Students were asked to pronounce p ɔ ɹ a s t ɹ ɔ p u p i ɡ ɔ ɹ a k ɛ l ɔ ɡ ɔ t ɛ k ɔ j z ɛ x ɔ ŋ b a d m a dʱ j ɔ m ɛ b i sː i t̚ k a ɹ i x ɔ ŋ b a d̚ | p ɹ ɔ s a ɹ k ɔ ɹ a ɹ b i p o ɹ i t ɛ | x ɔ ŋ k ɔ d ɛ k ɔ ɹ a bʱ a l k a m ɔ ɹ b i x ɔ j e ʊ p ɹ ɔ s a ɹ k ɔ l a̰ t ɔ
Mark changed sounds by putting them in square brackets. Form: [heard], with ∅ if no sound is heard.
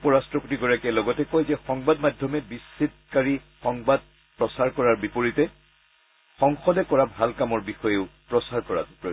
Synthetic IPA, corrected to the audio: p ɔ ɹ a s t ɹ ɔ p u [t] i ɡ ɔ ɹ a k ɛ l ɔ ɡ ɔ t ɛ k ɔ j z ɛ x ɔ ŋ b a d m a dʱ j ɔ m ɛ b i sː i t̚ k a ɹ i x ɔ ŋ b a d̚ | p ɹ ɔ s a ɹ k ɔ ɹ a ɹ b i p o ɹ i t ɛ | x ɔ ŋ [x] ɔ d ɛ k ɔ ɹ a bʱ a l k a m ɔ ɹ b i x ɔ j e ʊ p ɹ ɔ s a ɹ k ɔ [ɹ] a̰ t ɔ